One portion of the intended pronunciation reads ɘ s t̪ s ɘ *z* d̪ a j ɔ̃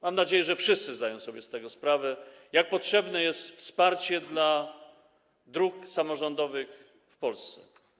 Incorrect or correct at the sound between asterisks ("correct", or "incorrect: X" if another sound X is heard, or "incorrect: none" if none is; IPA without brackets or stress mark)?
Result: correct